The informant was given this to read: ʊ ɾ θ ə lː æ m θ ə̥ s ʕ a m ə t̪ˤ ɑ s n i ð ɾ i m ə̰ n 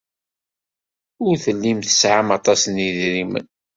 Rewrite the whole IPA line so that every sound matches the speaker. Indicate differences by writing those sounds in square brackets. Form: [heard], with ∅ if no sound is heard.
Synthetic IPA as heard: ʊ ɾ θ ə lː [i] m θ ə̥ s ʕ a m [ɑ] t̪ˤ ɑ s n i ð ɾ i m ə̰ n